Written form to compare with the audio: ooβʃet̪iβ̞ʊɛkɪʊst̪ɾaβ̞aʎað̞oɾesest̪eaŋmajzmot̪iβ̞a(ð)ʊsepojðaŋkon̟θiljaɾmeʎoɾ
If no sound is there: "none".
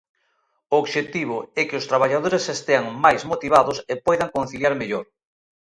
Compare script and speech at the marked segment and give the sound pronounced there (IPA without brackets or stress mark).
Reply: ð